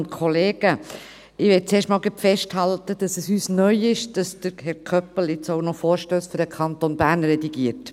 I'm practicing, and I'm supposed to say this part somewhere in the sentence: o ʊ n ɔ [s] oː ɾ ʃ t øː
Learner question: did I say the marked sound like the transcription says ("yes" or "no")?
no